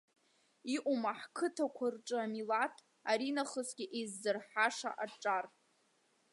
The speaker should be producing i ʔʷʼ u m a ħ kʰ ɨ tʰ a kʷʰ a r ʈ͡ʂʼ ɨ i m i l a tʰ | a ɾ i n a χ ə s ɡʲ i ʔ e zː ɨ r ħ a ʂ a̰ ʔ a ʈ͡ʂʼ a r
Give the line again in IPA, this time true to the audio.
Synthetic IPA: i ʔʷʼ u m a ħ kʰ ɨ tʰ a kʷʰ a r ʈ͡ʂʼ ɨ a m i l a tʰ | a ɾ i n a χ ə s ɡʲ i ʔ e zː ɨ r ħ a ʂ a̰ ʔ a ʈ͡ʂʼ a r